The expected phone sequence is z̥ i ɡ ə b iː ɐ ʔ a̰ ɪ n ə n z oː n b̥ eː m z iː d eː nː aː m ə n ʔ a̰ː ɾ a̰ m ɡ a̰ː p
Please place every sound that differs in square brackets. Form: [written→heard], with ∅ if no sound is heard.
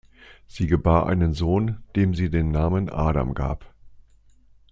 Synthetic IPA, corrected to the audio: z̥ [i→iː] ɡ ə b [iː→aː] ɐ ʔ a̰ ɪ n ə n z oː n [b̥→d̥] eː m z iː d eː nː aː m ə n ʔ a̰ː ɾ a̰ m ɡ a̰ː p